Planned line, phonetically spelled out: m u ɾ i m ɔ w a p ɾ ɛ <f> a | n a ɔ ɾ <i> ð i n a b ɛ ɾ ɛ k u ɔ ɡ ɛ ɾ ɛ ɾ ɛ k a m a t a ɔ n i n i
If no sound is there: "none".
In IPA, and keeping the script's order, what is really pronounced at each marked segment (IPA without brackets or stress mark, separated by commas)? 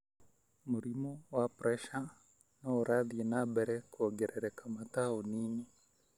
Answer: ʃ, a